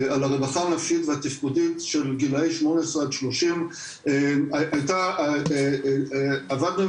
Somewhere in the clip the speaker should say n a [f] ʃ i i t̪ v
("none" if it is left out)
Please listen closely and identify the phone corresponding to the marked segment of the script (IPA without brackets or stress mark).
f